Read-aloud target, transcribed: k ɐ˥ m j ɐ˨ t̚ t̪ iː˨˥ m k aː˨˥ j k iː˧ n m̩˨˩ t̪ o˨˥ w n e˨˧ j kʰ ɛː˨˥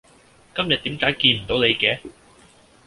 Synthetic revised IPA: k ɐ˥ m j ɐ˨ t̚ t̪ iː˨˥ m k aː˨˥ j k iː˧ n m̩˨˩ t̪ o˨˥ w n e˨˧ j k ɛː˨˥